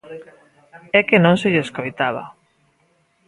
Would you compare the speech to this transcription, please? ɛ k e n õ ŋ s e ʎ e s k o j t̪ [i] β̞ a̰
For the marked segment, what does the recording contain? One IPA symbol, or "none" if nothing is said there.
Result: a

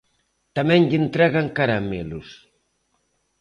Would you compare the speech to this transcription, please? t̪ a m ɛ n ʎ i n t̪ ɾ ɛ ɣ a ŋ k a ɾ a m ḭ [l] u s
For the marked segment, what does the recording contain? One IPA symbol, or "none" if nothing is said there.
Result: l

